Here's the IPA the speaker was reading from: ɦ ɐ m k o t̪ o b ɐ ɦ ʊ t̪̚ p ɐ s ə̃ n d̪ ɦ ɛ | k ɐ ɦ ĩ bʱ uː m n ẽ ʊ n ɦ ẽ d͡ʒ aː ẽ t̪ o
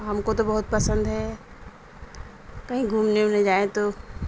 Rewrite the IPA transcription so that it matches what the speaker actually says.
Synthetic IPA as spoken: ɦ ɐ m k o t̪ o b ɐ ɦ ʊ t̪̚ p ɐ s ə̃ n d̪ ɦ ɛ | k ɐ ɦ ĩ ɡʱ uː m n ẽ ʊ n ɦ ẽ d͡ʒ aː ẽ t̪ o